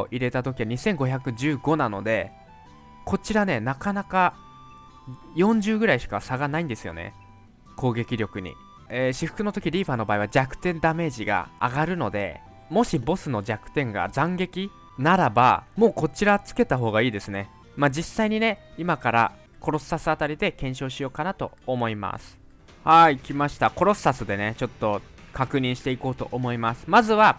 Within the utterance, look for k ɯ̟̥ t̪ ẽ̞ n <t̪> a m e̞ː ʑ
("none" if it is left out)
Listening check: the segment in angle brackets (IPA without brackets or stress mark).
d̪